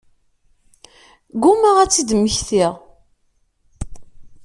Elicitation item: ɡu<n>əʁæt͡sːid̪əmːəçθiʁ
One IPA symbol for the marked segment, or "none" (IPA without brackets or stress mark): m